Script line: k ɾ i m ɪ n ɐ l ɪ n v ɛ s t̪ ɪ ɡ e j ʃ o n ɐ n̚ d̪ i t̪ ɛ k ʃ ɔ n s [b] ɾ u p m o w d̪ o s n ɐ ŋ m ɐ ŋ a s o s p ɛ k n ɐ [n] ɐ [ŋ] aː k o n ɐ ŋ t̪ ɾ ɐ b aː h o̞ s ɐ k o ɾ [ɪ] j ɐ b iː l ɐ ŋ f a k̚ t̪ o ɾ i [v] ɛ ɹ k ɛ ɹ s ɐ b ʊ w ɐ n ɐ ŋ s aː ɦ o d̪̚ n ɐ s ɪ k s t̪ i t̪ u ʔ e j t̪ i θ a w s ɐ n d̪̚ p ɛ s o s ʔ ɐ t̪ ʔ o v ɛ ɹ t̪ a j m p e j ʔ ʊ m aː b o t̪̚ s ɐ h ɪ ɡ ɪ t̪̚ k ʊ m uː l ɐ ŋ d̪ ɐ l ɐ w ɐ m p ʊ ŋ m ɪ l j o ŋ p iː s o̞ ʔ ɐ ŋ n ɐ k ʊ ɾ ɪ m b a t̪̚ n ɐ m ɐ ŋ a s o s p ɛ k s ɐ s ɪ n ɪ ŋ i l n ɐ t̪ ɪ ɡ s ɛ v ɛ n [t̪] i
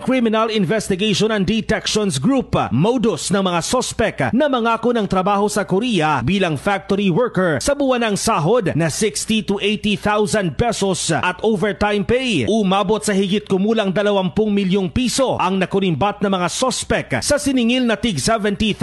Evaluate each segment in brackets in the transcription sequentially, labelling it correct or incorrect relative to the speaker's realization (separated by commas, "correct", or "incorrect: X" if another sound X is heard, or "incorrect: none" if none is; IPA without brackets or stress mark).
incorrect: ɡ, incorrect: m, correct, incorrect: i, incorrect: w, correct